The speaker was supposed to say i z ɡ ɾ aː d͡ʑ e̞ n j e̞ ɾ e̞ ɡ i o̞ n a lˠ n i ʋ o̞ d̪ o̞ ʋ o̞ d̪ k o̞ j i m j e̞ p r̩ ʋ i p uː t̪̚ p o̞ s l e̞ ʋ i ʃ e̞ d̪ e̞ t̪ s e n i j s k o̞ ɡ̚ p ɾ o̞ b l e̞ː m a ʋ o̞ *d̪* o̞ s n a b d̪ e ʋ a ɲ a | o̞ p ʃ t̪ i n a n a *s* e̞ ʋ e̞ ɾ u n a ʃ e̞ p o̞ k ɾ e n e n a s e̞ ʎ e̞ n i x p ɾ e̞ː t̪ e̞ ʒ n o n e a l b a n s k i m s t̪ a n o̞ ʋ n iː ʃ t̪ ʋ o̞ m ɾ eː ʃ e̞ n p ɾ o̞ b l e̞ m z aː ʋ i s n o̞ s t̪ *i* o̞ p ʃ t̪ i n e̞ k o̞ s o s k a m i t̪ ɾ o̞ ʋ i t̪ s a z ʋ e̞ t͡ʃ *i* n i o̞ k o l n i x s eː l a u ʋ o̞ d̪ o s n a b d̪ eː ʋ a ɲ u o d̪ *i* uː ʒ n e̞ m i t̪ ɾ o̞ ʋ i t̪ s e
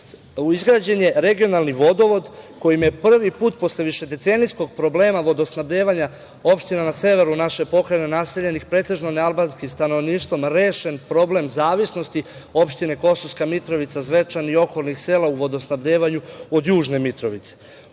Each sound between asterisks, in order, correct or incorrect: correct, correct, correct, incorrect, incorrect

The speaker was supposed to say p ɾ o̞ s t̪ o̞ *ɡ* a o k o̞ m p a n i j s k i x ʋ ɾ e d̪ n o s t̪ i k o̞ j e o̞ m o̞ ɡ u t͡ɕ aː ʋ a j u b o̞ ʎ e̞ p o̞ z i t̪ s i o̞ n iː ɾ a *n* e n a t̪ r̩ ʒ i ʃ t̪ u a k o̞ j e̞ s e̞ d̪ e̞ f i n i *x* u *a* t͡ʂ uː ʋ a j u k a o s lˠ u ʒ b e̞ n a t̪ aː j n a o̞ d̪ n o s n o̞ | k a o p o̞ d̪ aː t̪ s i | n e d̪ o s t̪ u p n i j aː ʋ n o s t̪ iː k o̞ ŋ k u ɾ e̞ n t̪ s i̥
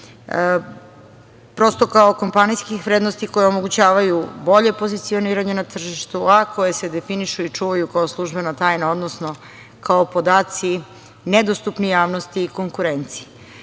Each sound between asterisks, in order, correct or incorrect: incorrect, incorrect, incorrect, incorrect

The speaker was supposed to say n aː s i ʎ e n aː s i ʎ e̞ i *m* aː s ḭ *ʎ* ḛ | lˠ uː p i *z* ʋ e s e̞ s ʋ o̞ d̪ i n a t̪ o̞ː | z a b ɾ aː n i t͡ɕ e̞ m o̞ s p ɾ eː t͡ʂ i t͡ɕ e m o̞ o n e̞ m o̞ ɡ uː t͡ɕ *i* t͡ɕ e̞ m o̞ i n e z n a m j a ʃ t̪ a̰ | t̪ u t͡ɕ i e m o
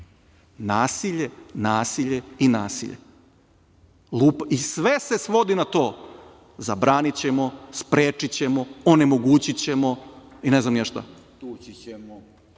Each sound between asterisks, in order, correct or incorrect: incorrect, correct, incorrect, correct

